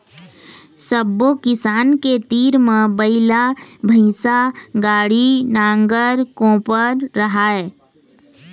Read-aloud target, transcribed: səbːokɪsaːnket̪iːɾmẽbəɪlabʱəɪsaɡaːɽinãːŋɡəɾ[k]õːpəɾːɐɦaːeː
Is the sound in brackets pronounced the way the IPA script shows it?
yes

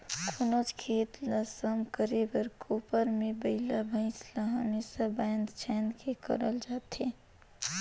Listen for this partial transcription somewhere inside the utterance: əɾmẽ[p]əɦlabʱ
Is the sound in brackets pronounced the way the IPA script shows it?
no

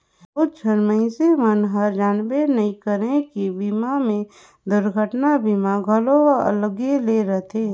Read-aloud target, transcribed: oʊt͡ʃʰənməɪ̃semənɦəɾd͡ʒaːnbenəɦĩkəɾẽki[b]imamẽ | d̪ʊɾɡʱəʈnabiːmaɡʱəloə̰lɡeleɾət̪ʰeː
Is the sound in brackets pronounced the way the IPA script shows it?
yes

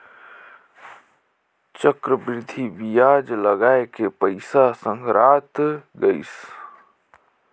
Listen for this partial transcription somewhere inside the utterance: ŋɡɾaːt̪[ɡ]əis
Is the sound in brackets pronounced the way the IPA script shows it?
yes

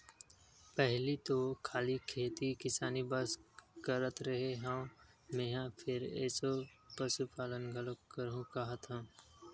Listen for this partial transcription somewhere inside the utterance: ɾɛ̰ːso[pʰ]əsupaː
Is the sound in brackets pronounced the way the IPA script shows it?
no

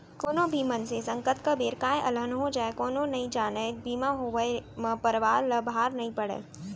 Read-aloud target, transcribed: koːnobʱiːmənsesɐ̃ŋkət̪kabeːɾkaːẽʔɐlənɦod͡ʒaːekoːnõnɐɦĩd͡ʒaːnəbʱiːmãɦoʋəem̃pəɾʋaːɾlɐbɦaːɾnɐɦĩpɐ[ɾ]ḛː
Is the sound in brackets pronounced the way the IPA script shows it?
no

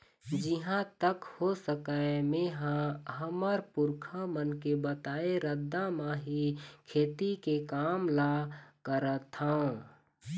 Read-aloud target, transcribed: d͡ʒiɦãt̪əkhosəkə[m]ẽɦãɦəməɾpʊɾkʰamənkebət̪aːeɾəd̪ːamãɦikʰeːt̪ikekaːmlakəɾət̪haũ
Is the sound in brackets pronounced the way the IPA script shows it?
yes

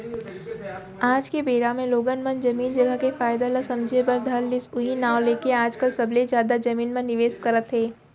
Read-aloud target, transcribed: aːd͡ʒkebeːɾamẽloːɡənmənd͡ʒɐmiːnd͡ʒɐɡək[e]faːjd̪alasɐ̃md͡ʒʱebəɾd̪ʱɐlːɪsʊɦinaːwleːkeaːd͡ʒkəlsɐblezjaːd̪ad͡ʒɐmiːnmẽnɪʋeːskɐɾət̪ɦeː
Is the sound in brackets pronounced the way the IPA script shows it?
yes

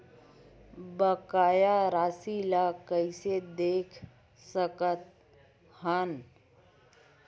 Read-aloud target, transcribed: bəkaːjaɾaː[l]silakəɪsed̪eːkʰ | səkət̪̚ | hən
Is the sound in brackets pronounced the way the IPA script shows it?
no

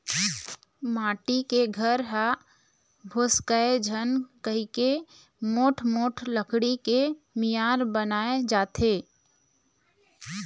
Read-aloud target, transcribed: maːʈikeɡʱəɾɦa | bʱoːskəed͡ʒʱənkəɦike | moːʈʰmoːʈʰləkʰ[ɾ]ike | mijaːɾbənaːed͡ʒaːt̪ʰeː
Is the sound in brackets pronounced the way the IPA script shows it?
no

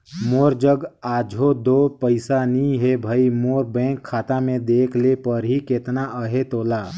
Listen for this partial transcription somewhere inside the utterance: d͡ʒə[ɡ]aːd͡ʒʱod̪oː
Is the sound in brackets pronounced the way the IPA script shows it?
yes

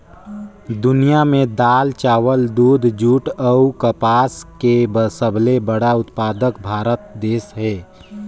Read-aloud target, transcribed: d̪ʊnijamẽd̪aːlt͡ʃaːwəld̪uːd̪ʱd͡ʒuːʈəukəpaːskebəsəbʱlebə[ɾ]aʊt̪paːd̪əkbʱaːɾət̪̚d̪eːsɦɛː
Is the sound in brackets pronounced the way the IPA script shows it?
no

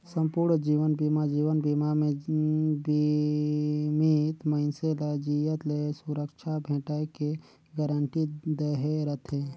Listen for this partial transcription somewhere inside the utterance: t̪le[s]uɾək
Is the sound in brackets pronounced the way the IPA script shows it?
yes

